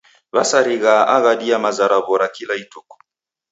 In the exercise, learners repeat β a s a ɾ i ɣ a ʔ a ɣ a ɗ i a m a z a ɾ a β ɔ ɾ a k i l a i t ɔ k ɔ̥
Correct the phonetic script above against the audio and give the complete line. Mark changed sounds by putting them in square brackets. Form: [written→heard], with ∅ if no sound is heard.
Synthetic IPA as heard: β a s a ɾ i ɣ a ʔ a ɣ a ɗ i a m a z a ɾ a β ɔ ɾ a k i l a i t ɔ k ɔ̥